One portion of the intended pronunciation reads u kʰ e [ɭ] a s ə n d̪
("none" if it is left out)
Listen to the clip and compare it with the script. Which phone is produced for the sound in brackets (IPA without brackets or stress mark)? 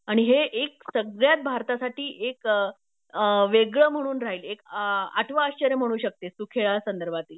ɭ